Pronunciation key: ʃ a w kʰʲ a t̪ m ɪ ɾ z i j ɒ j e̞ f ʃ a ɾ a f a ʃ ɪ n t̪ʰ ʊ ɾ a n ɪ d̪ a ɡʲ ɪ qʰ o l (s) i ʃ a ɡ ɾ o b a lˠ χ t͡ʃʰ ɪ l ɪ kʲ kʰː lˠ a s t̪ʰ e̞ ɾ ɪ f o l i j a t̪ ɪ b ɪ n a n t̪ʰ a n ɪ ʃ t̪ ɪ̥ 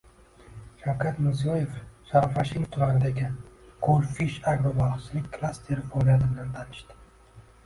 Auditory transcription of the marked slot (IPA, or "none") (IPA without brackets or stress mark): f